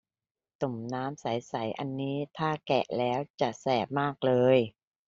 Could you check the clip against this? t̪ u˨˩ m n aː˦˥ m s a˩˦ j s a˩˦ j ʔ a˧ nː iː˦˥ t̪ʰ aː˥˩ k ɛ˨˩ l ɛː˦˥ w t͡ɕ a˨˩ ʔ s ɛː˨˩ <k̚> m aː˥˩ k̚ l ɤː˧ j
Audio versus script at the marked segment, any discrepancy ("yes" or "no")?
yes